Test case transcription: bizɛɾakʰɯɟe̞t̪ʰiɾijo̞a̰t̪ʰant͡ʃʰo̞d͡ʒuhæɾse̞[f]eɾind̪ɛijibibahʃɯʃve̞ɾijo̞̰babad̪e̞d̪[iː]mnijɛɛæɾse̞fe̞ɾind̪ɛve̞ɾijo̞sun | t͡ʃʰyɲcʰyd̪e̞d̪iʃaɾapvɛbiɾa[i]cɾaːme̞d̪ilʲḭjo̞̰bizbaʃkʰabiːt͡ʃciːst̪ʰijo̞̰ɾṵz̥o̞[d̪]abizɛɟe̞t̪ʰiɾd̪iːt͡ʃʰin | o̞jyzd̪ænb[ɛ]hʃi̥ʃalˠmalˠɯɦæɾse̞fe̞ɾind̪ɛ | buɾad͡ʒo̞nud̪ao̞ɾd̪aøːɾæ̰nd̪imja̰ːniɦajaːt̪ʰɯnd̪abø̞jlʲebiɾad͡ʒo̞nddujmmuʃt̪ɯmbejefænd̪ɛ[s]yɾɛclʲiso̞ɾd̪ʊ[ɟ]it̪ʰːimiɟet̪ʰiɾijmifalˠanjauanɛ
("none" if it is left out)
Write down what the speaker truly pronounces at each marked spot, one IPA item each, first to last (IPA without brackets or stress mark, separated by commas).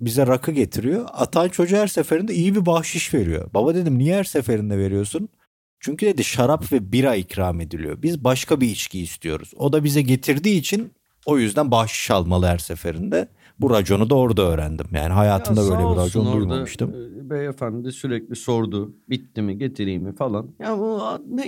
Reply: f, i, i, d̪, a, s, b